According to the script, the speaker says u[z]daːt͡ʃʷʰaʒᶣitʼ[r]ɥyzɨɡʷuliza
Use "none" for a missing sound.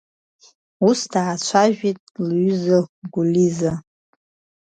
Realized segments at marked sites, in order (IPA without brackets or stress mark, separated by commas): s, l